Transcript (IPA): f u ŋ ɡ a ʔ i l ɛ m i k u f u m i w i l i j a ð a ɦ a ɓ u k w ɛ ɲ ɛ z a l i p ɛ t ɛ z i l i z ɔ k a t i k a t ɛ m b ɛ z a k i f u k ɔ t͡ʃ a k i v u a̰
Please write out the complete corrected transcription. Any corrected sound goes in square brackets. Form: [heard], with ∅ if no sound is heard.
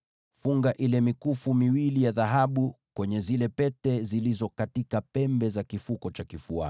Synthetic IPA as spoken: f u ŋ ɡ a ʔ i l ɛ m i k u f u m i w i l i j a ð a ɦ a ɓ u k w ɛ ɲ ɛ z [i] l [ɛ] p ɛ t ɛ z i l i z ɔ k a t i k a [p] ɛ m b ɛ z a k i f u k ɔ t͡ʃ a k i [f] u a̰